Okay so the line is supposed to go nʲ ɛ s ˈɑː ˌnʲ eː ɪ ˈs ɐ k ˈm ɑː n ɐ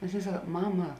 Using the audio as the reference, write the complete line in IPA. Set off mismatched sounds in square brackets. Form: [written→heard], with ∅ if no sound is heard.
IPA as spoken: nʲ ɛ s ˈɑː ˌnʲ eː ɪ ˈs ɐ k ˈm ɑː [n→m] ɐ

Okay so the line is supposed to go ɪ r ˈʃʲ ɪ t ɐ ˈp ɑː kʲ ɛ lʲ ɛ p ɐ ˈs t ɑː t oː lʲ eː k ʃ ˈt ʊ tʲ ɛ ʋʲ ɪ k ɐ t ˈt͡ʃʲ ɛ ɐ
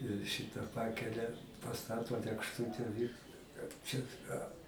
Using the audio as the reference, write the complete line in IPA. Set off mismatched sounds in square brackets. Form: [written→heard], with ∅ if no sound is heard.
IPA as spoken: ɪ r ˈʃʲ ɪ t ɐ ˈp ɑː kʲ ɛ lʲ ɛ p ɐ ˈs t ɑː t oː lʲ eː k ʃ ˈt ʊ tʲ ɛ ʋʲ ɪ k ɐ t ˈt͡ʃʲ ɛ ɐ

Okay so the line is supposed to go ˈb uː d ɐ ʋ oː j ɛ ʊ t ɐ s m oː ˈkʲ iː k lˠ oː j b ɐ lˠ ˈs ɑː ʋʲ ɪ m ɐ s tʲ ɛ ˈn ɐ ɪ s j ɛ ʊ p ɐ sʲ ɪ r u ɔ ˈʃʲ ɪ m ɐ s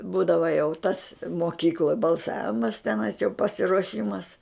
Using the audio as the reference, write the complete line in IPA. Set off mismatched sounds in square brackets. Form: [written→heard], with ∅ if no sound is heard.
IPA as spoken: ˈb uː d ɐ ʋ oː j ɛ ʊ t ɐ s m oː ˈkʲ iː k lˠ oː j b ɐ lˠ ˈs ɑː ʋʲ ɪ m ɐ s tʲ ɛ ˈn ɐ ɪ s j ɛ ʊ p ɐ sʲ ɪ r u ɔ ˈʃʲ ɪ m ɐ s

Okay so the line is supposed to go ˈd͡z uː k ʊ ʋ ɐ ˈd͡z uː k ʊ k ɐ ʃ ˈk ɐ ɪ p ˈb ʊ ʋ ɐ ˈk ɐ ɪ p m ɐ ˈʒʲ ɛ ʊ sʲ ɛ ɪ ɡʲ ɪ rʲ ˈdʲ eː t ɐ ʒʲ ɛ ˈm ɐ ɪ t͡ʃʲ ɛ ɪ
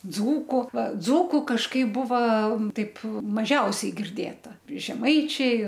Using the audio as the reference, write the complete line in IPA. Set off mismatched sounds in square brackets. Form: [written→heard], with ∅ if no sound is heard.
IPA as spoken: ˈd͡z uː k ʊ ʋ ɐ ˈd͡z uː k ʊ k ɐ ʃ ˈk ɐ ɪ p ˈb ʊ ʋ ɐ [ˈk→ˈt] ɐ ɪ p m ɐ ˈʒʲ ɛ ʊ sʲ ɛ ɪ ɡʲ ɪ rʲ ˈdʲ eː t ɐ ʒʲ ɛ ˈm ɐ ɪ t͡ʃʲ ɛ ɪ

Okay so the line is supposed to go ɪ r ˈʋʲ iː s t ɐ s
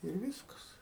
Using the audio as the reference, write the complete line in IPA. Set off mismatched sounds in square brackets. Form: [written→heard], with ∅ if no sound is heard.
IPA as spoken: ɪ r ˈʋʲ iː s [t→k] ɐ s

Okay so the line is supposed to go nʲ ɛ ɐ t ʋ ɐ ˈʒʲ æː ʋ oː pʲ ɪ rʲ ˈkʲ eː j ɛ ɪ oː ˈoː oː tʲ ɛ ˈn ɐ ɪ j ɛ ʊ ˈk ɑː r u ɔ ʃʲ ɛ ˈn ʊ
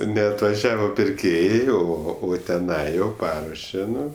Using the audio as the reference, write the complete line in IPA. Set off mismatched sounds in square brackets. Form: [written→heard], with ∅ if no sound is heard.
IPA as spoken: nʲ ɛ ɐ t ʋ ɐ ˈʒʲ æː ʋ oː pʲ ɪ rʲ ˈkʲ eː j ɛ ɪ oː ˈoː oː tʲ ɛ ˈn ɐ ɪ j ɛ ʊ [ˈk→ˈp] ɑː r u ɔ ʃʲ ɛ ˈn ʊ

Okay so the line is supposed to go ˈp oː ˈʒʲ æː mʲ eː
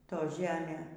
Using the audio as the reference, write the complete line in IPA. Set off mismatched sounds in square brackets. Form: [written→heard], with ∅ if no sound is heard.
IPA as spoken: [ˈp→ˈt] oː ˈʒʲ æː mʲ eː

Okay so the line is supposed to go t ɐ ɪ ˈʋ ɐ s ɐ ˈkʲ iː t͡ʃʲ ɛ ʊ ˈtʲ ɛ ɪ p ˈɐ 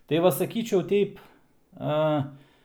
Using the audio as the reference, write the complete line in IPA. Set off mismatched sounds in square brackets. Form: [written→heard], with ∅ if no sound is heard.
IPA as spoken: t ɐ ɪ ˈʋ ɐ s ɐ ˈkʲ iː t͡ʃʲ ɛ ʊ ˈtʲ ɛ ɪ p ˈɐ

